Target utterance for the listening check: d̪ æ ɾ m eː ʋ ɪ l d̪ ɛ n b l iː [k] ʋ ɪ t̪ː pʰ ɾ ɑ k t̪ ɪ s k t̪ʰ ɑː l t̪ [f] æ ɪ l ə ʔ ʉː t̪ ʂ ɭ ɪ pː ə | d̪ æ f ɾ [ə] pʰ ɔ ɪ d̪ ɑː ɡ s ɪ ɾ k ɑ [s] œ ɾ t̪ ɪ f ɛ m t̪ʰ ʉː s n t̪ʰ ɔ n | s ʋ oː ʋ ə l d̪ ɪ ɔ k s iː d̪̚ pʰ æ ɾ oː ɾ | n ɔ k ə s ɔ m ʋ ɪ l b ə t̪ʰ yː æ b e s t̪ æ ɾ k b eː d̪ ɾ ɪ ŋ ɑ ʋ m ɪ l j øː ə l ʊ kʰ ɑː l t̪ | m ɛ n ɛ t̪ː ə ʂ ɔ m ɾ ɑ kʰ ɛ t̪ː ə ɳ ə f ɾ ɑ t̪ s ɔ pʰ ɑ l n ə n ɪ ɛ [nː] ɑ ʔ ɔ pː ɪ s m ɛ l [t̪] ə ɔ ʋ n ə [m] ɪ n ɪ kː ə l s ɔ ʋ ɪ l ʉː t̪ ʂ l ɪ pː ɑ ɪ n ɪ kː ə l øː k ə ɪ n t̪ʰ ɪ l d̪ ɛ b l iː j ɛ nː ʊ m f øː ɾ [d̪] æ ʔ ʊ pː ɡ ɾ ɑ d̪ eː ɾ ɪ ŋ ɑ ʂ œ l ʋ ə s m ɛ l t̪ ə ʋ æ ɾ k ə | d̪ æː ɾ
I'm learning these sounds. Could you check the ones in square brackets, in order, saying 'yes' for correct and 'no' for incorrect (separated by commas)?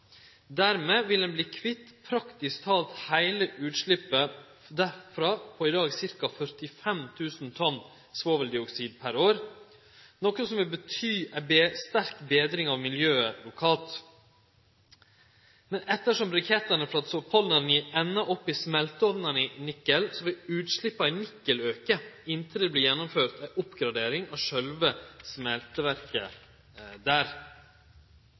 no, no, no, no, yes, yes, no, no